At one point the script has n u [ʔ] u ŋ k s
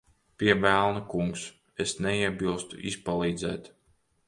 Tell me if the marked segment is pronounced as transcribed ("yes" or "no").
no